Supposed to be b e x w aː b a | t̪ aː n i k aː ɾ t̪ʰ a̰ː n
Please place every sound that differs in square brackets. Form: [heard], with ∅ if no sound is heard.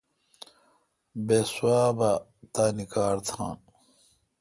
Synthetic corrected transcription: b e [s] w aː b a | t̪ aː n i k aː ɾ t̪ʰ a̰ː n